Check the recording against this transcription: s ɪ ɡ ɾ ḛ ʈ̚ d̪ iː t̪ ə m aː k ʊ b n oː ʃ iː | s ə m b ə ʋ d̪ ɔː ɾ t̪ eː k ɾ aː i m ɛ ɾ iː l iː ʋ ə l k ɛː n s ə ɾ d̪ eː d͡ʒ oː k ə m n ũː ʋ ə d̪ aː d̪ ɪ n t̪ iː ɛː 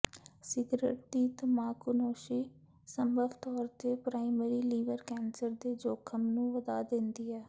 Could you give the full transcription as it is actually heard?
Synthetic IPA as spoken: s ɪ ɡ ɾ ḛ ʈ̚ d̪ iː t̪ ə m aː k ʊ n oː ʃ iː | s ə m b ə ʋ t̪ ɔː ɾ t̪ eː p ɾ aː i m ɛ ɾ iː l iː ʋ ə ɾ k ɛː n s ə ɾ d̪ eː d͡ʒ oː kʰ ə m n ũː ʋ ə d̪ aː d̪ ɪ n d̪ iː ɛː